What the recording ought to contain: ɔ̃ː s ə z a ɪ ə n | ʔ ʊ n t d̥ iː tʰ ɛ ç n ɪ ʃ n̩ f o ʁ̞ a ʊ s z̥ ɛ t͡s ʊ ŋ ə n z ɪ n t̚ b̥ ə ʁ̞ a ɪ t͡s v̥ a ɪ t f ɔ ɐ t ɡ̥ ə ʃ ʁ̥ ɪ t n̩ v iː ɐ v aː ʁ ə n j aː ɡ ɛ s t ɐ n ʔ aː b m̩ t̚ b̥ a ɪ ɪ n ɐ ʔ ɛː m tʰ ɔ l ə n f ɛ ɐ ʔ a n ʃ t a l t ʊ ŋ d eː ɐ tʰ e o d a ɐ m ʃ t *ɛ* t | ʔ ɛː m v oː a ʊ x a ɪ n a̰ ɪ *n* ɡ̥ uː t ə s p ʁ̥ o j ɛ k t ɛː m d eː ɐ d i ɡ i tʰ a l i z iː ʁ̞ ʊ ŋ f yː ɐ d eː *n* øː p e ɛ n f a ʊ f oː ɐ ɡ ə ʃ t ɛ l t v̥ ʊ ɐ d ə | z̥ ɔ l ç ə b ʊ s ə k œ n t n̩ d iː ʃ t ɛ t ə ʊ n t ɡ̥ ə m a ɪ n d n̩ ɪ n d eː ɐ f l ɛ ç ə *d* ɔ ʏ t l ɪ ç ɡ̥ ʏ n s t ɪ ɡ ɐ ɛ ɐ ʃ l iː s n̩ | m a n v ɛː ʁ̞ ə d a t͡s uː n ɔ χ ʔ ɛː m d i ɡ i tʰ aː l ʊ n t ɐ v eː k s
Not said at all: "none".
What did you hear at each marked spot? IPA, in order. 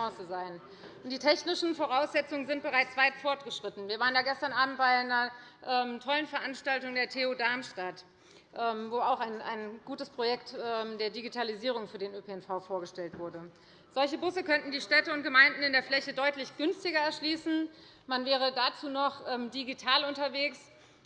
a, n, n, d

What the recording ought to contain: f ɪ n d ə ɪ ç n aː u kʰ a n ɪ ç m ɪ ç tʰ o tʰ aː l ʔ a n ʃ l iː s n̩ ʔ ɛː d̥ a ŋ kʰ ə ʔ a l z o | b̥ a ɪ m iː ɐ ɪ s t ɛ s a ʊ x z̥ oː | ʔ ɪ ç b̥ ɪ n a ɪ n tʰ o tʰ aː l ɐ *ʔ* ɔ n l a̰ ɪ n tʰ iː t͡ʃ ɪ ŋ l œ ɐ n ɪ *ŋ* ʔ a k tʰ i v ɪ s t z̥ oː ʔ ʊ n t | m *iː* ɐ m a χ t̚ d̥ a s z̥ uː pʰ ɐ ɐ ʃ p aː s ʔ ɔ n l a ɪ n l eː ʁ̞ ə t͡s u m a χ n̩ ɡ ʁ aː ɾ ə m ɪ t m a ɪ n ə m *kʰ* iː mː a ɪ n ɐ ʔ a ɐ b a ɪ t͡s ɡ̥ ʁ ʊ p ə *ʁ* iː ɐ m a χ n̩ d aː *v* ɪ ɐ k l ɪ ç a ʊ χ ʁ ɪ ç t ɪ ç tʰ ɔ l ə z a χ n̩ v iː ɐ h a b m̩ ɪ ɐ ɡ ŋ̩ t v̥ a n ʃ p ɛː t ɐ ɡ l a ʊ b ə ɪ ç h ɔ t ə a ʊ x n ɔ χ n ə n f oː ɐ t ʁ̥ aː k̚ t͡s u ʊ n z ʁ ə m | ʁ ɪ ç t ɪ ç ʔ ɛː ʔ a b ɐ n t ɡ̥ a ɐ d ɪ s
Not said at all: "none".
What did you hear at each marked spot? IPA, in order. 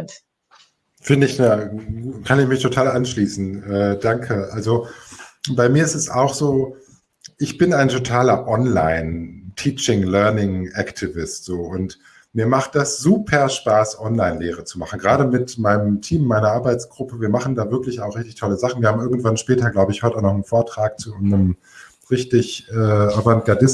ʔ, ŋ, iː, tʰ, v, v

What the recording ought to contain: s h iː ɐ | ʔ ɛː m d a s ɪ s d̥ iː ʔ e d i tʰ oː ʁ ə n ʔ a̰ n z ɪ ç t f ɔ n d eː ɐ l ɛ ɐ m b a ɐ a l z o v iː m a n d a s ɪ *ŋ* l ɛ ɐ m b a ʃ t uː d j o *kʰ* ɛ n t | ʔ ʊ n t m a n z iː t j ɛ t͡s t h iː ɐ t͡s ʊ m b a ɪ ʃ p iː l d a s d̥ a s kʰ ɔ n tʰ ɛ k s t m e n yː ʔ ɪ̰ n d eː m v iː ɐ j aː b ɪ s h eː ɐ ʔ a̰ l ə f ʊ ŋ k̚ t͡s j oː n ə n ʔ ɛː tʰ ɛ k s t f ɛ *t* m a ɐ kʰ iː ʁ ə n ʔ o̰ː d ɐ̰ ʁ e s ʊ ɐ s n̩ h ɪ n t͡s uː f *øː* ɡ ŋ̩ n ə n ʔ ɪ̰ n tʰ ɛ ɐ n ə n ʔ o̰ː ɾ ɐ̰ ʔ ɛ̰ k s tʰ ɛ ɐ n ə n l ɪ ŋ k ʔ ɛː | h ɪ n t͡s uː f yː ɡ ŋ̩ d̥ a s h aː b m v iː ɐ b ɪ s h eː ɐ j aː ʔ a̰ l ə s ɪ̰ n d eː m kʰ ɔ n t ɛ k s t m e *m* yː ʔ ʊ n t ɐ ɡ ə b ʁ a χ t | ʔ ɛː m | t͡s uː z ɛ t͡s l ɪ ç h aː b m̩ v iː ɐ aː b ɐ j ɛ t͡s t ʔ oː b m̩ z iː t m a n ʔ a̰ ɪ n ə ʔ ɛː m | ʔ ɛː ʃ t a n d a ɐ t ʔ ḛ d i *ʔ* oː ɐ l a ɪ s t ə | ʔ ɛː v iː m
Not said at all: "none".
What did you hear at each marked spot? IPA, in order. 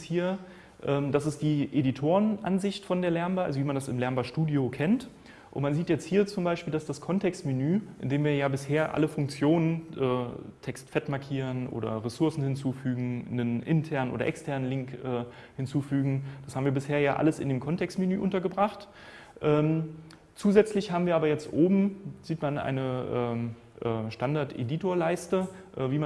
m, kʰ, t, yː, n, t

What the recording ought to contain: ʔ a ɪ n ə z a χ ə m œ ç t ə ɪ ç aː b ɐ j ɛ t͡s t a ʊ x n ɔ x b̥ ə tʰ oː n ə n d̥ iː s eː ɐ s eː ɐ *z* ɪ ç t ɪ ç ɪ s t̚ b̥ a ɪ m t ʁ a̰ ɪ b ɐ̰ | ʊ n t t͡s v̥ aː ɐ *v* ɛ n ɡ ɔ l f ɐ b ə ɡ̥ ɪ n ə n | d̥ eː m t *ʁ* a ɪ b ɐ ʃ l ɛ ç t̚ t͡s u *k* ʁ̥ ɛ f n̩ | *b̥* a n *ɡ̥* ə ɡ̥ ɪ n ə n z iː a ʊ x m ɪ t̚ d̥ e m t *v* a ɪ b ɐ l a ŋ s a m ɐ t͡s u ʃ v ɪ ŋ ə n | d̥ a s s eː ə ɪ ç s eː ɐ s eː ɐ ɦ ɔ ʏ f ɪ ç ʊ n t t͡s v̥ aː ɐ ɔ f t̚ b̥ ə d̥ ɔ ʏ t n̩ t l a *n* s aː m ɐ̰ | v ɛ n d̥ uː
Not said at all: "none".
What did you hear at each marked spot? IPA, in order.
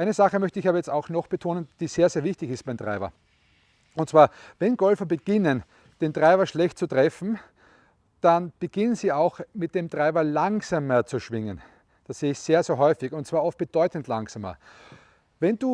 v, v, ʁ, t, d̥, b̥, ʁ, ŋ

